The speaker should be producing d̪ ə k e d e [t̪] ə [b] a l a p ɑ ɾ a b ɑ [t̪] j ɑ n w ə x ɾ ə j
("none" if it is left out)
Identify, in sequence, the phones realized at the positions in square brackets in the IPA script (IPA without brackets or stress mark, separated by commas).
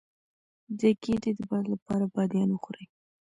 d̪, b, d̪